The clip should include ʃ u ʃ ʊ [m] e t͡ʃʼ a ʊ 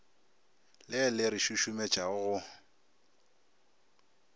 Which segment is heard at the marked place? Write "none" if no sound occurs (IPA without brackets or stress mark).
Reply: m